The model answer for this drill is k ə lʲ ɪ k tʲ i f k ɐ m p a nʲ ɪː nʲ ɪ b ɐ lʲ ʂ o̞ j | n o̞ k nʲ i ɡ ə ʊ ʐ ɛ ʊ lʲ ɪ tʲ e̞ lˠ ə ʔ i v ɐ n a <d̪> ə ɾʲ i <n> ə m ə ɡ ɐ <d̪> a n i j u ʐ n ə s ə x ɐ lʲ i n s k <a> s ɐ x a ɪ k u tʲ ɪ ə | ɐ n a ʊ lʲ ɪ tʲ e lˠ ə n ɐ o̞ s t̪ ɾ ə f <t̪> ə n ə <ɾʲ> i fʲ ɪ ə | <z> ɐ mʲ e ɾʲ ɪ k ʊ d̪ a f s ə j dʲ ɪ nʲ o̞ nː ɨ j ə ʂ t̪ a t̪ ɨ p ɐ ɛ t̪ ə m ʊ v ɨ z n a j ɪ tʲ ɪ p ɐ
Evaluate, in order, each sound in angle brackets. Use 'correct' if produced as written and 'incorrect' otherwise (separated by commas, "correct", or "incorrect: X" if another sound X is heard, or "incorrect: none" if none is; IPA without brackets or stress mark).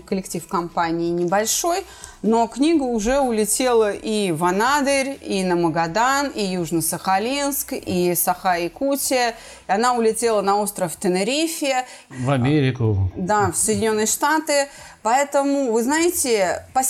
correct, correct, correct, incorrect: i, correct, correct, incorrect: v